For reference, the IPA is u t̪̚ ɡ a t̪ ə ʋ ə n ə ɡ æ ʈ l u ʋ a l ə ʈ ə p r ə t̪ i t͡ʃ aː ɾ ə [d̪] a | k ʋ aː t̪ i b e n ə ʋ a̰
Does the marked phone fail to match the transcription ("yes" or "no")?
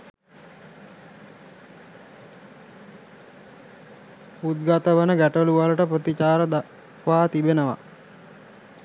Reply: no